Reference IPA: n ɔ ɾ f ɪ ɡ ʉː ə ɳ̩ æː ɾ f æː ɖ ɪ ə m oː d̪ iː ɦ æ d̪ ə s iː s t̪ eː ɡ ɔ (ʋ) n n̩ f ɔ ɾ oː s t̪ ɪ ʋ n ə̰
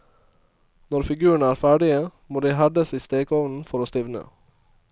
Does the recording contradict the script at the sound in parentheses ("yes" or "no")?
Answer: no